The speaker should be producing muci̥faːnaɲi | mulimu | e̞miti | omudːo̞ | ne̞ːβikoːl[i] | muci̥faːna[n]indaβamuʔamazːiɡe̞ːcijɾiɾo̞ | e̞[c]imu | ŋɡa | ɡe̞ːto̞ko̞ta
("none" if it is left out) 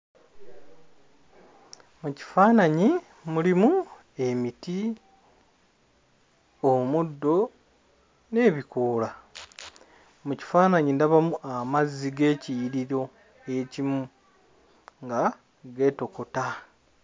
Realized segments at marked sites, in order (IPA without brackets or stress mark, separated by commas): a, ɲ, c